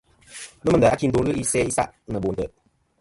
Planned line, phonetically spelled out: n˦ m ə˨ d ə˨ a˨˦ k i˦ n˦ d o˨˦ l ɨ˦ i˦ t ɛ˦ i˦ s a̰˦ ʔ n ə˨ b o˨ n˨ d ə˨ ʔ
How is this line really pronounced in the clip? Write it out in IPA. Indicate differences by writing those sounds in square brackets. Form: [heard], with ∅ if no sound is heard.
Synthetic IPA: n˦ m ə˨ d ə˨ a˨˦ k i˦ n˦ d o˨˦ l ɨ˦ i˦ [s] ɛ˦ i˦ s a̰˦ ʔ n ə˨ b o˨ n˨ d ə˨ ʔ